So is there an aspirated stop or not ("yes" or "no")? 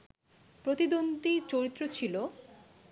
yes